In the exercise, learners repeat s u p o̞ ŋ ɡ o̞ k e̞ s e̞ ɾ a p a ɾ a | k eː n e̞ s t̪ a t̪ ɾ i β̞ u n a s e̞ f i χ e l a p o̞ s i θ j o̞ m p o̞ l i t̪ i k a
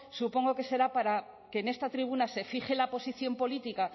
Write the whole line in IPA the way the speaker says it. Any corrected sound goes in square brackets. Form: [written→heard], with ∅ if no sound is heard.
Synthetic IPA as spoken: s u p o̞ ŋ ɡ o̞ k e̞ s e̞ ɾ a p a ɾ a | k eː n e̞ s t̪ a t̪ ɾ i β̞ u n a s e̞ f i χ e l a p o̞ s i θ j o̞ m p o̞ l i t̪ i k a